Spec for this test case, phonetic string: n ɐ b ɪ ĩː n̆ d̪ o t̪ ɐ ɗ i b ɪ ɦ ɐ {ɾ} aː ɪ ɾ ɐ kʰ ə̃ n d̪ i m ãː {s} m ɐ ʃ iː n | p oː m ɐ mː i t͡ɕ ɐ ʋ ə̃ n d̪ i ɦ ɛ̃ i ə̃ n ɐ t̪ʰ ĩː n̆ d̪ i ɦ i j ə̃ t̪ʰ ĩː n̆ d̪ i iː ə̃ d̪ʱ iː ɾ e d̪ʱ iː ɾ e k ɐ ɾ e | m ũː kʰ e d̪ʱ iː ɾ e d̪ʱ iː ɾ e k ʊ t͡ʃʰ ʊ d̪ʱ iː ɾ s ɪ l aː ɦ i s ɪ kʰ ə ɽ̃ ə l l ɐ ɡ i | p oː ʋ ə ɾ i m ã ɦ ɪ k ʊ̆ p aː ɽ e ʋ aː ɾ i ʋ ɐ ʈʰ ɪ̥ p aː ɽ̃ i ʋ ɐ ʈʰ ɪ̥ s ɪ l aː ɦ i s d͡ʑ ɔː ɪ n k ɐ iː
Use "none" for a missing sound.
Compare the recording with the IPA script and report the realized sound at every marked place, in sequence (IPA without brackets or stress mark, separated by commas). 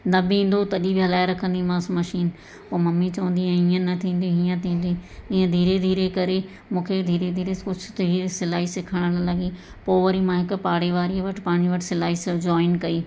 l, s